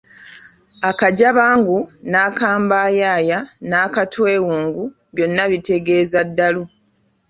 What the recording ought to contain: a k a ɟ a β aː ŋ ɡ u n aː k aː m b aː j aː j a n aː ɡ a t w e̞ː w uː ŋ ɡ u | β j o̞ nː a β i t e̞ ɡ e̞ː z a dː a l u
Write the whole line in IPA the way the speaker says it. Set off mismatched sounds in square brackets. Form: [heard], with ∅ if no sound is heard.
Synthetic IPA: a k a ɟ a β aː ŋ ɡ u n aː k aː m b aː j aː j a n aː [k] a t w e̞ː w uː ŋ ɡ u | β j o̞ nː a β i t e̞ ɡ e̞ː z a dː a l u